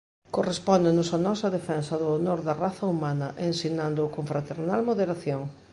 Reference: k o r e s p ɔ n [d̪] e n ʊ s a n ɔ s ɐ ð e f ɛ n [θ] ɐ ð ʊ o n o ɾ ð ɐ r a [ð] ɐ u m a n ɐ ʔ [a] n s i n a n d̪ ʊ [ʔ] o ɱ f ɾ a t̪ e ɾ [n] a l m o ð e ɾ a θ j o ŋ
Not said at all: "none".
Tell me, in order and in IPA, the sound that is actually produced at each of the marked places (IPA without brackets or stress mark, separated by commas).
d̪, s, θ, e, k, n